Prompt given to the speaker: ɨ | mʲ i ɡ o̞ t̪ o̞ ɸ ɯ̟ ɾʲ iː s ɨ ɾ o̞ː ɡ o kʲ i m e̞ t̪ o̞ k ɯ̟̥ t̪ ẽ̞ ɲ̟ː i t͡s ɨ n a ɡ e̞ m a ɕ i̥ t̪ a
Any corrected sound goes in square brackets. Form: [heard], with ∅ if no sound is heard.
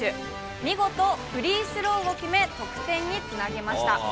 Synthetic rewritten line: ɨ | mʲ i ɡ o̞ t̪ o̞ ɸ ɯ̟ ɾʲ iː s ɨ ɾ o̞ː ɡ o kʲ i m e̞ t̪ o̞ k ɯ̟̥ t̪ ẽ̞ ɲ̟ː i t͡s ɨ n a ɡ e̞ m a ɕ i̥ t̪ a